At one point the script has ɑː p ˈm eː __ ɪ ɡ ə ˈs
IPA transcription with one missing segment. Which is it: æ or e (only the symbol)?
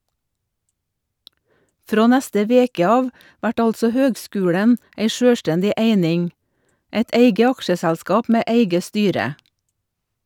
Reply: æ